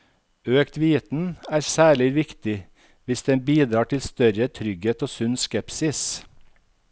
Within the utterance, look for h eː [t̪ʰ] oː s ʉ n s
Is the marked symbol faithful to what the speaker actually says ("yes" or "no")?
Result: no